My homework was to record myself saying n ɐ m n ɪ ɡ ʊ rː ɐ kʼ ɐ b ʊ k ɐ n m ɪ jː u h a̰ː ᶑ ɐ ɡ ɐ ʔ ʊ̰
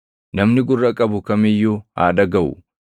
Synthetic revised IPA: n ɐ m n ɪ ɡ ʊ rː ɐ kʼ ɐ b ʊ k ɐ m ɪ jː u h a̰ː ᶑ ɐ ɡ ɐ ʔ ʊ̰